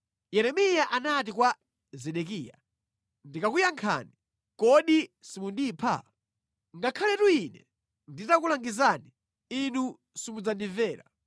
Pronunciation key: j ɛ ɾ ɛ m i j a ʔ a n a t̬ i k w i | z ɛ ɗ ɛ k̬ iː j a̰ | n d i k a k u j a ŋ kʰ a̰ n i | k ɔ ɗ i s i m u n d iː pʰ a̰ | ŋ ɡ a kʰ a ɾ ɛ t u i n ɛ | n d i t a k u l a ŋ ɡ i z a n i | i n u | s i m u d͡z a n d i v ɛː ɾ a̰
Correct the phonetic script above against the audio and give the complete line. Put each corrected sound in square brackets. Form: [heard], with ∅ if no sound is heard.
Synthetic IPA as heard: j ɛ ɾ ɛ m i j a ʔ a n a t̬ i k w [a] | z ɛ ɗ ɛ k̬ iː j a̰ | n d i k a k u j a ŋ kʰ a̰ n i | k ɔ ɗ i s i m u n d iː pʰ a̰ | ŋ ɡ a kʰ a [l] ɛ t u i n ɛ | n d i t a k u l a ŋ ɡ i z a n i | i n u | s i m u d͡z a n d i v ɛː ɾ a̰